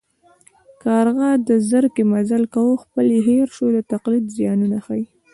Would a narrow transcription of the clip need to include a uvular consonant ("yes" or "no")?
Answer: yes